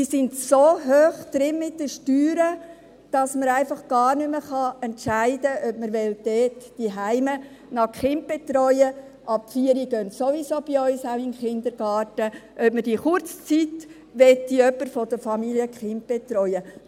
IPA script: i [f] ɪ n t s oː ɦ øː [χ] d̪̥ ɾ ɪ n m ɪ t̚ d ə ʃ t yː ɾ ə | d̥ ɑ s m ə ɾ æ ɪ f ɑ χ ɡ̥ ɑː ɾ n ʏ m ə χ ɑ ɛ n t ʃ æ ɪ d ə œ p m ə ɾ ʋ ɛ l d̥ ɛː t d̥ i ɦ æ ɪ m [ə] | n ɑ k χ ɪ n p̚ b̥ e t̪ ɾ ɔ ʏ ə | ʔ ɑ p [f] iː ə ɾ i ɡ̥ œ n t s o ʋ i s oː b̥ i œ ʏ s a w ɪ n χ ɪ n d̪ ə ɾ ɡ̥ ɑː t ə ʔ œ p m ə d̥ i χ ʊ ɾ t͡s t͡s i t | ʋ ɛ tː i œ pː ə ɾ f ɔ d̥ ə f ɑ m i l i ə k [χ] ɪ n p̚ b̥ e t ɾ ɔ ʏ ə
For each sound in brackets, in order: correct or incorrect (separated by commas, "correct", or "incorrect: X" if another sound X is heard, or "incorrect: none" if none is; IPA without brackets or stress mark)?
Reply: incorrect: s, correct, correct, correct, correct